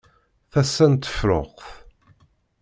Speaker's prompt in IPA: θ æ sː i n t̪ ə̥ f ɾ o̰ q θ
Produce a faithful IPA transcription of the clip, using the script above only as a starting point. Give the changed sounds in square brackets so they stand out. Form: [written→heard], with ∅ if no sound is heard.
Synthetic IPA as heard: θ æ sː [i→æ] n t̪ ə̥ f ɾ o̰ q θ